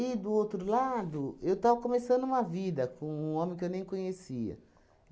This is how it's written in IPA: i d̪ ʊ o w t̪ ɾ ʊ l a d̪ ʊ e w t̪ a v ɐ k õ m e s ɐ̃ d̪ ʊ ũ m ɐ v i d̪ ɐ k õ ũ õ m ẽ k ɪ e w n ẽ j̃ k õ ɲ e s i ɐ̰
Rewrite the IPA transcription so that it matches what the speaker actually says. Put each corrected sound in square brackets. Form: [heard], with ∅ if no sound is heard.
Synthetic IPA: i d̪ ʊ o w t̪ ɾ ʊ l a d̪ ʊ e w t̪ a v ɐ k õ m e s ɐ̃ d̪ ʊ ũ m ɐ v i d̪ ɐ k õ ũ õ m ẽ k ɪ e w n ẽ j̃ k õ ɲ e s i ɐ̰